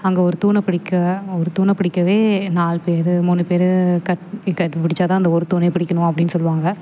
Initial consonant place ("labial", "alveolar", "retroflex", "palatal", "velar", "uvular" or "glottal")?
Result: velar